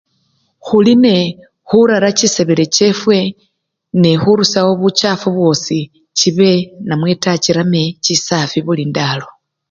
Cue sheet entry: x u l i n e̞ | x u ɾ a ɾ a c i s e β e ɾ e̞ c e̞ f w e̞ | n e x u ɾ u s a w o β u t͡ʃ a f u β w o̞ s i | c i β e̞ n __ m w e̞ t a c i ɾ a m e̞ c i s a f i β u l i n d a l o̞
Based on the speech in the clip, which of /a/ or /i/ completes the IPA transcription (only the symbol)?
a